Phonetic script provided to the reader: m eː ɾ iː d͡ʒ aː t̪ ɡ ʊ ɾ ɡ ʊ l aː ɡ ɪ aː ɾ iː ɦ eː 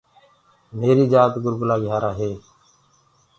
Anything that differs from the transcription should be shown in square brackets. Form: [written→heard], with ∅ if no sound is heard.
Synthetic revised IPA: m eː ɾ iː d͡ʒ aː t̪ ɡ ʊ ɾ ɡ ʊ l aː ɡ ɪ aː ɾ [iː→aː] ɦ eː